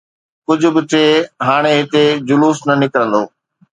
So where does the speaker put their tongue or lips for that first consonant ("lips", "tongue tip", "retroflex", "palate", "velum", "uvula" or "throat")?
velum